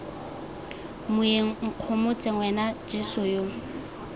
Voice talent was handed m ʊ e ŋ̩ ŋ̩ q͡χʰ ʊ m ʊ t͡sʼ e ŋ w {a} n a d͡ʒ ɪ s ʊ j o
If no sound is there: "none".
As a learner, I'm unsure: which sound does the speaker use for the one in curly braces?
ɛ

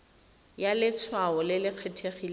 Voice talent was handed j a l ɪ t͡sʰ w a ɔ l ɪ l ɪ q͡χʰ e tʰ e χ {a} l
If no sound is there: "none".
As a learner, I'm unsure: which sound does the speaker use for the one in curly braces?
i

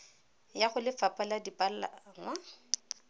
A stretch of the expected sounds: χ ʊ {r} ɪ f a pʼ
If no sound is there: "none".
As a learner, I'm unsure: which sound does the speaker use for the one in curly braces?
l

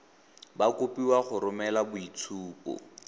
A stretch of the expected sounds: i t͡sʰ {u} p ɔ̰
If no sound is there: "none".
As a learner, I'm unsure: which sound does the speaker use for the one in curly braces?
uː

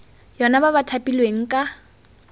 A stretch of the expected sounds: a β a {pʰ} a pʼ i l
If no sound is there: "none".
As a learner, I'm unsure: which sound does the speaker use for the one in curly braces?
tʰ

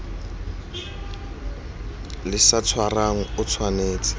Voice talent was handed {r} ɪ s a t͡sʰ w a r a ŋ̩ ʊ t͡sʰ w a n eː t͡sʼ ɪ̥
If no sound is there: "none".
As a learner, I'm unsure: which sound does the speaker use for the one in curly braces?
l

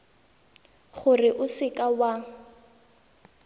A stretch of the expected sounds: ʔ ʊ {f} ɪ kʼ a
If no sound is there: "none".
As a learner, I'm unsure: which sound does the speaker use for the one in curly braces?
s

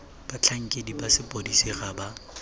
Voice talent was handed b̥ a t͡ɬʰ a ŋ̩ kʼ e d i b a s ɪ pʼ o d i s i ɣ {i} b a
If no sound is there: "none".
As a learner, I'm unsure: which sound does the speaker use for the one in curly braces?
a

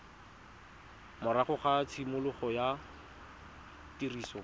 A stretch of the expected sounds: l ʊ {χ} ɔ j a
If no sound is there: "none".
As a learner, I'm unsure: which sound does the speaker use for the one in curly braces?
χ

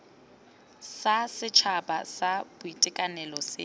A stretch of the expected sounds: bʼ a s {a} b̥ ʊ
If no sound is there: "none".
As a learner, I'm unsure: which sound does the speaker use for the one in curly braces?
a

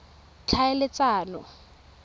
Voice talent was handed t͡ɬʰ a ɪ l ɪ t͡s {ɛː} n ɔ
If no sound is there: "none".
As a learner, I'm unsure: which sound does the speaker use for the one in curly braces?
aː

